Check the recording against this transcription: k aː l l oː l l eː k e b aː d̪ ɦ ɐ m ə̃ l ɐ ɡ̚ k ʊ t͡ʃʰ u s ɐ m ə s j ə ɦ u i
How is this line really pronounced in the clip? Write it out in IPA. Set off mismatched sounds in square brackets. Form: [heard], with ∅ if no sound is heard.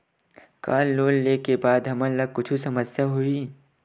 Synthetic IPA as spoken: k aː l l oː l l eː k e b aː d̪ ɦ ɐ m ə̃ l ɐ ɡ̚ k ʊ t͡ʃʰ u s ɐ m ə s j [a] ɦ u i